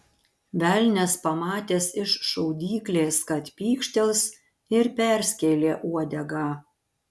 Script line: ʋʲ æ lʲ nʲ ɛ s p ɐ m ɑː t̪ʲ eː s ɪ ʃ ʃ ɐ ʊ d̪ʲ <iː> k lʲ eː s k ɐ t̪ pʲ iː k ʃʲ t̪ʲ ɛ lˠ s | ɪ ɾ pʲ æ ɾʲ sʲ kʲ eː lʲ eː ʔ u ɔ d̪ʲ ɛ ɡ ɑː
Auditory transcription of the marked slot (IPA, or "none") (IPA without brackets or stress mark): iː